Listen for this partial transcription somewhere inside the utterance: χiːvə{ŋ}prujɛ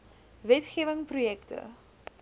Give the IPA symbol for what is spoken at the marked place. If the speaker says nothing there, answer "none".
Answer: ŋ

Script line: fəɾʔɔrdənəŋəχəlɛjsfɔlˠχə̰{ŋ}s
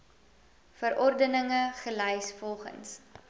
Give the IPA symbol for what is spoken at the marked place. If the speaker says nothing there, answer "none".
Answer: n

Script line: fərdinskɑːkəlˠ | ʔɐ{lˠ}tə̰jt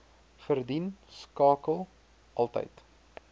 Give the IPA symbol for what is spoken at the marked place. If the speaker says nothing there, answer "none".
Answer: lˠ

